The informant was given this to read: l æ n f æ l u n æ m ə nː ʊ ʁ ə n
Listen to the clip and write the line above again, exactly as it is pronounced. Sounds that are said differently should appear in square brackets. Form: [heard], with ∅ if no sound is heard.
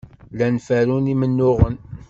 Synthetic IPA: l æ n f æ [ɾ] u n [i] m ə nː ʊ ʁ ə n